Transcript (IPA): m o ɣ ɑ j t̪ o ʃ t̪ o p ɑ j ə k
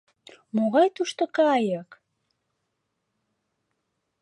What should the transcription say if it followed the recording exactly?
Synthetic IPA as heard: m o ɣ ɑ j t̪ u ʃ t̪ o k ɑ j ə k

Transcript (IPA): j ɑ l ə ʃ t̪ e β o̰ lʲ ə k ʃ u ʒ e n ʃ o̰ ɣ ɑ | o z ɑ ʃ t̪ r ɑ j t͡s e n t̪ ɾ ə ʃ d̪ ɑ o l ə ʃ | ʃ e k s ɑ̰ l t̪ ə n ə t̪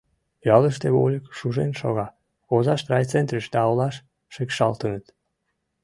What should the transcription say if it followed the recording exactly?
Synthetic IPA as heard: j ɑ l ə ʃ t̪ e β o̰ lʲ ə k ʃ u ʒ e n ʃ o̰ ɣ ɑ | o z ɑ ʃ t̪ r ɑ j t͡s e n t̪ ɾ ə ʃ d̪ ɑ o l ɑ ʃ | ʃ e k ʃ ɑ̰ l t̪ ə n ə t̪

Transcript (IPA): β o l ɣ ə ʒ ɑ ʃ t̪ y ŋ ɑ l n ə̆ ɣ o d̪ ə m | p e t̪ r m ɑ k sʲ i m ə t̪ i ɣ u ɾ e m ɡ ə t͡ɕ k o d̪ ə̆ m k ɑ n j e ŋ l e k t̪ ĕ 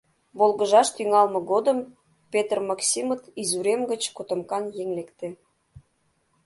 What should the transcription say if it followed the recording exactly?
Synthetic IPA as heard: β o l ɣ ə ʒ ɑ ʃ t̪ y ŋ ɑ l m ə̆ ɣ o d̪ ə m | p e t̪ r m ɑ k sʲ i m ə t̪ i z u ɾ e m ɡ ə t͡ɕ k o t̪ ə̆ m k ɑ n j e ŋ l e k t̪ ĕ

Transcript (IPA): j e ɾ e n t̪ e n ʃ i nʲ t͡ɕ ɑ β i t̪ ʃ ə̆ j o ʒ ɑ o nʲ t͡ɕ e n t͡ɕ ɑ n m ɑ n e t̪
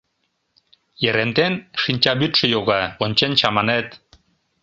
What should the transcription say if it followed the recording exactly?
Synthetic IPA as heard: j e ɾ e n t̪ e n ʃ i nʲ t͡ɕ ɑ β y t̪ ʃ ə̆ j o ɣ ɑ o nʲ t͡ɕ e n t͡ɕ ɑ m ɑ n e t̪

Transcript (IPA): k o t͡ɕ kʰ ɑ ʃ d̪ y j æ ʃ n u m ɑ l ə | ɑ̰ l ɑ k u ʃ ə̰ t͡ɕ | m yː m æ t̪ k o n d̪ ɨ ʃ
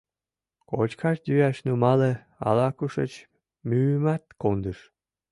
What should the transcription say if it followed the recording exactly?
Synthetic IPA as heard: k o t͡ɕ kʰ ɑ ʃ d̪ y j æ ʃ n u m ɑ l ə | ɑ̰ l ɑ k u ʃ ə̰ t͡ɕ | m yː m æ t̪ k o n d̪ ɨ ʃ

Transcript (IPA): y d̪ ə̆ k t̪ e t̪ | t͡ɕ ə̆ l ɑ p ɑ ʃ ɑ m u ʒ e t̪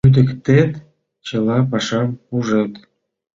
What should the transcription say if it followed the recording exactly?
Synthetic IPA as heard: y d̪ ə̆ k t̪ e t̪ | t͡ɕ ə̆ l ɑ p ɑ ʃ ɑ m u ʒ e t̪

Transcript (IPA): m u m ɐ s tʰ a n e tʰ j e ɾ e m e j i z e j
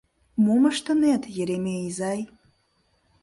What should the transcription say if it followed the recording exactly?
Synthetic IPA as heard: m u m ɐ ʂ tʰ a n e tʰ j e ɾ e m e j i z a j

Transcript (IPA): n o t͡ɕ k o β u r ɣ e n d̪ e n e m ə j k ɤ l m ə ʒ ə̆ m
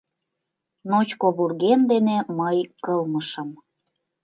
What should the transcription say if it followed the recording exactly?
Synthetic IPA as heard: n o t͡ɕ k o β u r ɣ e n d̪ e n e m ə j k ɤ l m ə ʃ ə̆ m

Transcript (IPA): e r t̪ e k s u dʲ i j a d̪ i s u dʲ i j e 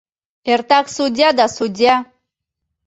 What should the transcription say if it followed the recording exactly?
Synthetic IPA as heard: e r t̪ a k s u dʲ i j a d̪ a s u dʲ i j a

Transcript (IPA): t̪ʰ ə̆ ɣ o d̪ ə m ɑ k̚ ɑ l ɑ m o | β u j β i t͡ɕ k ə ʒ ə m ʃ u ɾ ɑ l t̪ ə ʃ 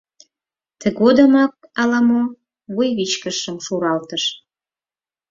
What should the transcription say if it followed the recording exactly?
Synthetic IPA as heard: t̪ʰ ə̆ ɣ o d̪ ə m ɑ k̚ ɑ l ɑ m o | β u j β i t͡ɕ k ə ʃ ə m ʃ u ɾ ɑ l t̪ ə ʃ

